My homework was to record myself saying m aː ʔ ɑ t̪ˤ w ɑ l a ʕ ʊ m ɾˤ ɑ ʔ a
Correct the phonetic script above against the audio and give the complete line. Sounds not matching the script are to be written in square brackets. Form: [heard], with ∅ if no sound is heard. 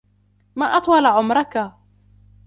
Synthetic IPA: m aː ʔ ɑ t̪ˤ w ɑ l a ʕ ʊ m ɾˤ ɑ [k] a

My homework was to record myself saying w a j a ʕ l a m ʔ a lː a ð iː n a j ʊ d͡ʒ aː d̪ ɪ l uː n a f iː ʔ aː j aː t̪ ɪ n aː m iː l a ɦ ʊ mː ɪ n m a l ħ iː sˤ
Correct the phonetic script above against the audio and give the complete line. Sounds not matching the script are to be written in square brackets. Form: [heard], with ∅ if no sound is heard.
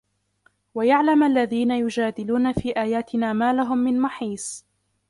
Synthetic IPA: w a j a ʕ l a m ʔ a lː a ð iː n a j ʊ d͡ʒ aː d̪ ɪ l uː n a f iː ʔ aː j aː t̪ ɪ n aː m [aː] l a ɦ ʊ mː ɪ n m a [∅] ħ iː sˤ

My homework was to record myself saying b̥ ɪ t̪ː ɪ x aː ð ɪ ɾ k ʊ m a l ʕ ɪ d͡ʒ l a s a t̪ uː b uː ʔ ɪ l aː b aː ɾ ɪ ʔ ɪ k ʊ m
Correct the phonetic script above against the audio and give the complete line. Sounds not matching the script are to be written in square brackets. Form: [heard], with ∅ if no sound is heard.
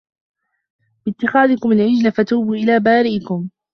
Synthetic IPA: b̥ ɪ t̪ː ɪ x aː ð ɪ [∅] k ʊ m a l ʕ ɪ d͡ʒ l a [f] a t̪ uː b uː ʔ ɪ l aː b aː ɾ ɪ ʔ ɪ k ʊ m

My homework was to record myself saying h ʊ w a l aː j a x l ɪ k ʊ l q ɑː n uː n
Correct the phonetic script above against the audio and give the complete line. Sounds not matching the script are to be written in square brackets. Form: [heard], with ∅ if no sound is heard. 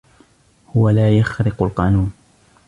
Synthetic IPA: h ʊ w a l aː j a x [ɾ] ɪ [q] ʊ l q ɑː n uː n

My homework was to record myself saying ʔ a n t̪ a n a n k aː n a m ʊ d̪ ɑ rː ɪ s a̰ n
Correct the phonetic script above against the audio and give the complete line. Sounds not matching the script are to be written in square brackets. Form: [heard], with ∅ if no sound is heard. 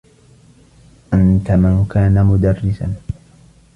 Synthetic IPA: ʔ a n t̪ a [m] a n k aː n a m ʊ d̪ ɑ rː ɪ s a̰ n

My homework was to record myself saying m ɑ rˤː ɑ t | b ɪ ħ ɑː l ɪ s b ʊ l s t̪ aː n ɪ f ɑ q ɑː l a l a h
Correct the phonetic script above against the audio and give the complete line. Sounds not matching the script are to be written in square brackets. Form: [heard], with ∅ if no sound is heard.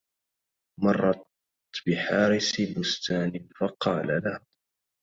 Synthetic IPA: m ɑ rˤː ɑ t | b ɪ ħ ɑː [ɾ] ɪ s b ʊ [∅] s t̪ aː n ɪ f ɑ q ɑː l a l a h

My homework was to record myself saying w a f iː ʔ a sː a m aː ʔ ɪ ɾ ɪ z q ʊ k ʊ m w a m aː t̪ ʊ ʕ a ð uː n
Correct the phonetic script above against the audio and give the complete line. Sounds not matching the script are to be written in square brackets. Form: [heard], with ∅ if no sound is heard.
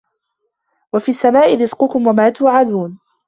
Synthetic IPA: w a f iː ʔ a sː a m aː ʔ ɪ ɾ ɪ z q ʊ k ʊ m w a m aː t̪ ʊ ʕ a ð uː n

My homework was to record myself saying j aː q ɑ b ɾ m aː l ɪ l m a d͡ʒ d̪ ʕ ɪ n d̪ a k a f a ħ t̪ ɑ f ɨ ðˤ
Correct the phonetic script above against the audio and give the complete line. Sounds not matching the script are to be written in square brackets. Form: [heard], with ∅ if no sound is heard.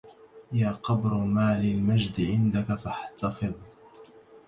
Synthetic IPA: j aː q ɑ b ɾ m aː l ɪ l m a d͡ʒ d̪ ʕ ɪ n d̪ a k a f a ħ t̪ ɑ f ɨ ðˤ

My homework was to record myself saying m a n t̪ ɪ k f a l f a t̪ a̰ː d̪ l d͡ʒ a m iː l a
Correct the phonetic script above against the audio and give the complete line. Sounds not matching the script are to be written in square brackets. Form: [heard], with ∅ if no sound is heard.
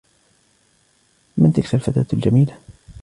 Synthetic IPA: m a n t̪ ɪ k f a l f a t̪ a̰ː [t̪] l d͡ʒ a m iː l a

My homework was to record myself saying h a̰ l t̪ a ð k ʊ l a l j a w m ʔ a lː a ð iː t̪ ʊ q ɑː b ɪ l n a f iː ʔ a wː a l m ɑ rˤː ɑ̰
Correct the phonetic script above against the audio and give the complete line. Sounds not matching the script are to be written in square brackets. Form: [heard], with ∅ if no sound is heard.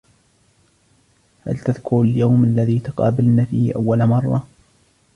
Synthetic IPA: h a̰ l t̪ a ð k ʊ [ɾ] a l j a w m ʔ a lː a ð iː t̪ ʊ q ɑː b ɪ l n a f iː ʔ a wː a l m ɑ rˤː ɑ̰

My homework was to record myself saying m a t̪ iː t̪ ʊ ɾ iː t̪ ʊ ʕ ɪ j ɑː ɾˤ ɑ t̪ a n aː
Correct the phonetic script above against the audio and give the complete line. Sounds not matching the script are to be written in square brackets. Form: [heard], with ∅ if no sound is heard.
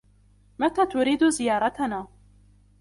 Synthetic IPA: m a t̪ [aː] t̪ ʊ ɾ iː [d̪] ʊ [z] ɪ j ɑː ɾˤ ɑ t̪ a n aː

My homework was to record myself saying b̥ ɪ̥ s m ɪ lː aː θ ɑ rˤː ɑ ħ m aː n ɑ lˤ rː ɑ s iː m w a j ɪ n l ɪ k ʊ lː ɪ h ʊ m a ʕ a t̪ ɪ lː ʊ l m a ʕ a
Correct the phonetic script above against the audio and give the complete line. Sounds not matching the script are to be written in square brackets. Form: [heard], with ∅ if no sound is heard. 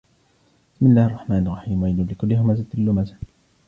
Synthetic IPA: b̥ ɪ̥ s m ɪ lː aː [h] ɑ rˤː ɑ ħ m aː n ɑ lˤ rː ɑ [ħ] iː m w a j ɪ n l ɪ k ʊ lː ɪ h ʊ m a [z] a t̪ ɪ lː ʊ [∅] m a [z] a

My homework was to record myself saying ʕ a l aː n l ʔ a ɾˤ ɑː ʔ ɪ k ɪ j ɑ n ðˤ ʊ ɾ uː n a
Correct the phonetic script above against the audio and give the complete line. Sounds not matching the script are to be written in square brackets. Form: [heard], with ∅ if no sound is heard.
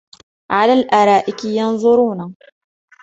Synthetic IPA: ʕ a l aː [∅] l ʔ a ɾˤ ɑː ʔ ɪ k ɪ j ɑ n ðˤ ʊ ɾ uː n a

